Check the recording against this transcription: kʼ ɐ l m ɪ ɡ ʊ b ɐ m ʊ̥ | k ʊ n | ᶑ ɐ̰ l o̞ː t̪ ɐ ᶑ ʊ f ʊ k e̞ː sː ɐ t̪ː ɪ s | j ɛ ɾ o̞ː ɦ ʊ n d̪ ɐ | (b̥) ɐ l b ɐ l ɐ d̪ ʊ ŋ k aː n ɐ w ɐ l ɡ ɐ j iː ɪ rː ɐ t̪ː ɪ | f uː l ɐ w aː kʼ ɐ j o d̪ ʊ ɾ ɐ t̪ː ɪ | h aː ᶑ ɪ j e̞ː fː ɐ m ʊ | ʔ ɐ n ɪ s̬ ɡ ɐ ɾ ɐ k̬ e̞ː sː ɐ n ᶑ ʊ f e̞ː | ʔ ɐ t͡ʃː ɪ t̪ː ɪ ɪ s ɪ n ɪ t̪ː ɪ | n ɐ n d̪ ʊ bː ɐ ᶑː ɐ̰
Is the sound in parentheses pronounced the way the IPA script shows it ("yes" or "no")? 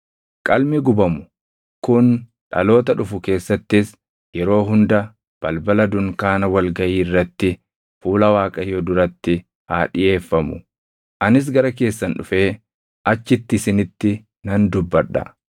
yes